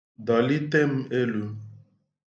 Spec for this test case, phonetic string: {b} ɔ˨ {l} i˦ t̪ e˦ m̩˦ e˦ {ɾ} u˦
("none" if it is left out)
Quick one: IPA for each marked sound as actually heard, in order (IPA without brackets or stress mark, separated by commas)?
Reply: d, l, l